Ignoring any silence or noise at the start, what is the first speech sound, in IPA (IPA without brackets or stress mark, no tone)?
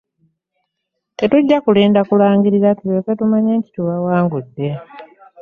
t